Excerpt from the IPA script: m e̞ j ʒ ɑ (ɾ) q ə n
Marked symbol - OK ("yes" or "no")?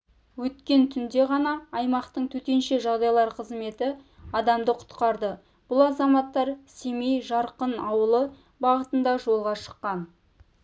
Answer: yes